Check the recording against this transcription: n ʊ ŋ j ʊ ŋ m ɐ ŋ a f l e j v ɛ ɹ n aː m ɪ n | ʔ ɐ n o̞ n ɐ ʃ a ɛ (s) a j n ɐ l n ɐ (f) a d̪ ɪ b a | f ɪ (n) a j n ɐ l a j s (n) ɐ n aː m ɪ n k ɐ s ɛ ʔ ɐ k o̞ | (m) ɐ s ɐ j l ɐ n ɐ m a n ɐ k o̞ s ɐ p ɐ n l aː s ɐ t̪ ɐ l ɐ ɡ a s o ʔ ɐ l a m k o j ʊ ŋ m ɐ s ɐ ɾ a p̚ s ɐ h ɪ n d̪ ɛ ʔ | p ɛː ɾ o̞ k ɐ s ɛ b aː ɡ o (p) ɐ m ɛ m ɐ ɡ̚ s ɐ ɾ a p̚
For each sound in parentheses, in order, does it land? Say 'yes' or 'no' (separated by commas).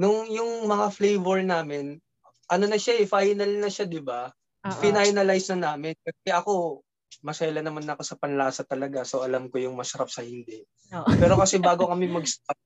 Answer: no, no, yes, yes, yes, no